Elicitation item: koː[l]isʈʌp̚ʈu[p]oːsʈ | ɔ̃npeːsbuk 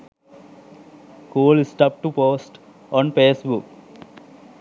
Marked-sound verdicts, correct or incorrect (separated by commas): correct, correct